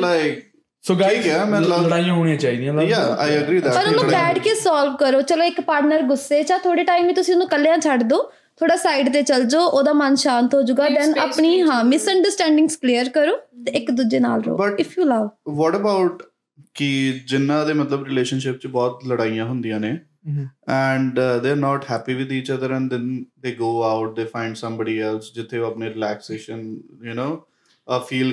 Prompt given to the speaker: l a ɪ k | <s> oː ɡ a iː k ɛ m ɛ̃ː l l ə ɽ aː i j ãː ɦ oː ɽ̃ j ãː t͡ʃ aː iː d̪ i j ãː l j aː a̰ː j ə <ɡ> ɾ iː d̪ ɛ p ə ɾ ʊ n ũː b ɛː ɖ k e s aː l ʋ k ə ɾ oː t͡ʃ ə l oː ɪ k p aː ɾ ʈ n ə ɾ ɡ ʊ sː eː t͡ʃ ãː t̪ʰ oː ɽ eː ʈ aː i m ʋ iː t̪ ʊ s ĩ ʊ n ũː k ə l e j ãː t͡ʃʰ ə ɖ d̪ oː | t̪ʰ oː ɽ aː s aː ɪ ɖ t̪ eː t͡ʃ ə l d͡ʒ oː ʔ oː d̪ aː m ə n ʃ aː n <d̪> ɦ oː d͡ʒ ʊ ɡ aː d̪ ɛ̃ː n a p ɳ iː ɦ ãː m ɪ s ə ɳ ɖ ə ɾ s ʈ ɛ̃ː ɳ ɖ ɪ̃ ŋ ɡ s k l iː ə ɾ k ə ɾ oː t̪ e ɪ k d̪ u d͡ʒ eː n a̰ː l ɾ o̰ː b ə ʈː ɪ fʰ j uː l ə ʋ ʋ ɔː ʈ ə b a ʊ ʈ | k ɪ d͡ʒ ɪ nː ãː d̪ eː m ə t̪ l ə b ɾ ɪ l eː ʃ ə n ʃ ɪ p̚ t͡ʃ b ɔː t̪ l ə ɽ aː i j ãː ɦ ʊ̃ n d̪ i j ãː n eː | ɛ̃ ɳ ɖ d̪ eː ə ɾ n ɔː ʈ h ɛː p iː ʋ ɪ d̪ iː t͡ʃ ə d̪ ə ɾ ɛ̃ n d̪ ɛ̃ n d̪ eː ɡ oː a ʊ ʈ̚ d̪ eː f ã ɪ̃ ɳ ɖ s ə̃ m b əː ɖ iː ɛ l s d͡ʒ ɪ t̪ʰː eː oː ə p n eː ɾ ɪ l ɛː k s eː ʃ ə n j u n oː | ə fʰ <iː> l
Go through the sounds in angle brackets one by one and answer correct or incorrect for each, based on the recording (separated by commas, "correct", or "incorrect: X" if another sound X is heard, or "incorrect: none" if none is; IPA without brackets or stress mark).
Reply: correct, correct, incorrect: t̪, correct